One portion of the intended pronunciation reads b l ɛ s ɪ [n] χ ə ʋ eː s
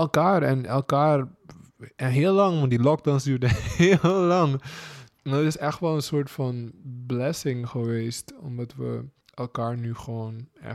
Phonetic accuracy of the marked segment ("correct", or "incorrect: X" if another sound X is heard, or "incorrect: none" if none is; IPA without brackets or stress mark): incorrect: ŋ